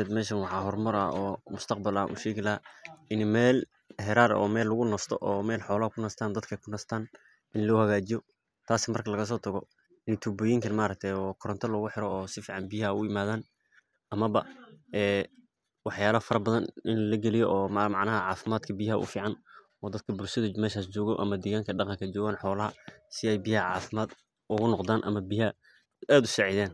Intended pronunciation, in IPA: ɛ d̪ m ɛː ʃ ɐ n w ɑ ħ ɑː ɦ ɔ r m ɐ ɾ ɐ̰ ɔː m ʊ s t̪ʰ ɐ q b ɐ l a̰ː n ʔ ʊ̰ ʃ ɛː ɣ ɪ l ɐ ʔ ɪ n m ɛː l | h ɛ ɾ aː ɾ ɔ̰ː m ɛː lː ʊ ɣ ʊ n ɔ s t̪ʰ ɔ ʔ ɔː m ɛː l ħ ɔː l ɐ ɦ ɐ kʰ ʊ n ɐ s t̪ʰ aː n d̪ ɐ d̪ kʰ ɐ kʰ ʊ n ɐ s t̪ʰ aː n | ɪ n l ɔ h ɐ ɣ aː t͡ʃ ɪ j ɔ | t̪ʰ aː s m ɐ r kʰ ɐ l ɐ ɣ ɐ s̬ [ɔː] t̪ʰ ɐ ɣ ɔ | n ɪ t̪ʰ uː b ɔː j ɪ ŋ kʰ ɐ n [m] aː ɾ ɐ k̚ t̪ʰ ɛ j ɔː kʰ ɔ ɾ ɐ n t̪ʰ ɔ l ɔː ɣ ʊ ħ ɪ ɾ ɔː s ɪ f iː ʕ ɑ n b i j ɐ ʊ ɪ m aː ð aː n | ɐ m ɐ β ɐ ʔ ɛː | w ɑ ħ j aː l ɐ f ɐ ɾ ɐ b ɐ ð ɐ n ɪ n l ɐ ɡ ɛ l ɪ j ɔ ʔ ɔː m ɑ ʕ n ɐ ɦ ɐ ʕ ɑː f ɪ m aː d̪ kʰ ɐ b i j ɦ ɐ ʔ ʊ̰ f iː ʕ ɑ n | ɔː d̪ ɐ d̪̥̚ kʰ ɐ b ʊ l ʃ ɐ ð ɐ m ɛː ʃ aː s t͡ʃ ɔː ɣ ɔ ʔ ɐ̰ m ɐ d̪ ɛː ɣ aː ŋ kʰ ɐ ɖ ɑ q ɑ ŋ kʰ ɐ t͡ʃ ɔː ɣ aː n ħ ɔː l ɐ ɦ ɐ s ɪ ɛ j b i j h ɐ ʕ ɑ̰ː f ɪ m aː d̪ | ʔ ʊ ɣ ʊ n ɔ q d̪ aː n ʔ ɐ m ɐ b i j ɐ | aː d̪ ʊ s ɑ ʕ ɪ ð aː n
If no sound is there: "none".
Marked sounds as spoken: ɔː, m

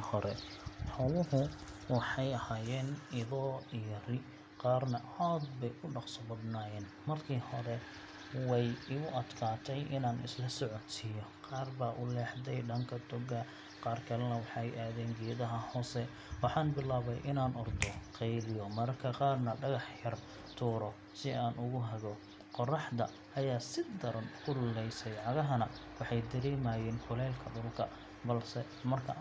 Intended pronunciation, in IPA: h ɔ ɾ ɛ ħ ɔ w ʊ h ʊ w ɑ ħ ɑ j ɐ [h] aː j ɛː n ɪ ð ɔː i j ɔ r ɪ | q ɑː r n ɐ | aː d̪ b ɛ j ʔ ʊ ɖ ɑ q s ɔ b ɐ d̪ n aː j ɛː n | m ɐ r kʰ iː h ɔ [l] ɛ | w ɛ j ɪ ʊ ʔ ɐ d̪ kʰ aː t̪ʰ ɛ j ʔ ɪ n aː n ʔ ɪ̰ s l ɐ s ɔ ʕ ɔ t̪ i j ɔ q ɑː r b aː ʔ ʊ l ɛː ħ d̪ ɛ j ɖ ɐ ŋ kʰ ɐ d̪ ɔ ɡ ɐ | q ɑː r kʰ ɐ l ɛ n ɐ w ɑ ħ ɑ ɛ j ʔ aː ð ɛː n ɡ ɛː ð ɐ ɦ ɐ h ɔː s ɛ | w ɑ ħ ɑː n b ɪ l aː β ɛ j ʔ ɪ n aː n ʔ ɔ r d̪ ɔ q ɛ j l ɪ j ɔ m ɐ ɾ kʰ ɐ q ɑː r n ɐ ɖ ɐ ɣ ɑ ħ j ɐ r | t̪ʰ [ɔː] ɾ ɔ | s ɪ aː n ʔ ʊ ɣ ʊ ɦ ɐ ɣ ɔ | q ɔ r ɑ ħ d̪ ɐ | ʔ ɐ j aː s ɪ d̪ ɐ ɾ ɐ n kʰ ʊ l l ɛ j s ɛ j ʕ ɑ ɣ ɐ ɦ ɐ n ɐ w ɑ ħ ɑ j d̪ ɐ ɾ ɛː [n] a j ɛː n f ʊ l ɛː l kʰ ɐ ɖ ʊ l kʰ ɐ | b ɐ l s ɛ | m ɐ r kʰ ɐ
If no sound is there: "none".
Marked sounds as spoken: h, ɾ, uː, m

